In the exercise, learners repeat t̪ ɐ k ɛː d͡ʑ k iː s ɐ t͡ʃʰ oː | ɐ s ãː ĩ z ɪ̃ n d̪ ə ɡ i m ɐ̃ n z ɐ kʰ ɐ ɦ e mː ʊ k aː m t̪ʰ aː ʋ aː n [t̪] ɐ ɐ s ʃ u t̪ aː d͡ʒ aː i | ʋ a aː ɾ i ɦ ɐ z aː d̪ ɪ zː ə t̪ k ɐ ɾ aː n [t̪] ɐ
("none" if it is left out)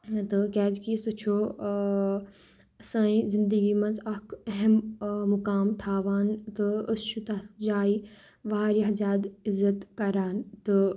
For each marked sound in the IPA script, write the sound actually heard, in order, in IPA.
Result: t̪, t̪

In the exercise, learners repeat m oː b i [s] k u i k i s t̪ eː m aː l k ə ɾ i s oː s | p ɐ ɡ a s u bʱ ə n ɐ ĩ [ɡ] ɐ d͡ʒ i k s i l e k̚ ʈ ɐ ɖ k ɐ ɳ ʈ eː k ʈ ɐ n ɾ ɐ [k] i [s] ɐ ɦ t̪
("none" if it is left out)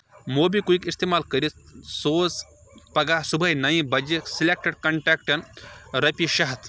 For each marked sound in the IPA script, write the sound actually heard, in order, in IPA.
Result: none, b, p, ʃ

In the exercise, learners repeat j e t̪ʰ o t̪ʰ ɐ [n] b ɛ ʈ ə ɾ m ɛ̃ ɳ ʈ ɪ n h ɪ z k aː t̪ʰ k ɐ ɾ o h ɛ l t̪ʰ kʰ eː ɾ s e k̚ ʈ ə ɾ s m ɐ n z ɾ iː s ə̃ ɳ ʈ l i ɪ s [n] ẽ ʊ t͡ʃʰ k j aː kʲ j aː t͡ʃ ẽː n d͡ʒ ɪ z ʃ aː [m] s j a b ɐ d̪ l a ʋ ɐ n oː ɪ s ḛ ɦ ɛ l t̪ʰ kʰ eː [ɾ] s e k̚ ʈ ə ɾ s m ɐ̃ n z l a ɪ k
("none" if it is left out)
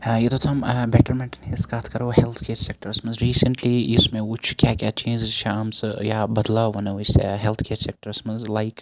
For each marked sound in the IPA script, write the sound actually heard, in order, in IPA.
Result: m, m, m, ɾ

